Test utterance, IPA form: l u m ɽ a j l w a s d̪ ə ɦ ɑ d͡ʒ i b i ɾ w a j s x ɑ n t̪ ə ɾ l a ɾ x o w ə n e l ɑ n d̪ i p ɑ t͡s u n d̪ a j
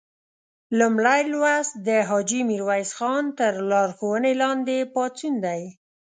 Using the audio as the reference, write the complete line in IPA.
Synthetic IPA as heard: l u m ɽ a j l w a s d̪ ə ɦ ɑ d͡ʒ i m i ɾ w a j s x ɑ n t̪ ə ɾ l ɑ ɾ x o w ə n e l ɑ n d̪ e p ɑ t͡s u n d̪ a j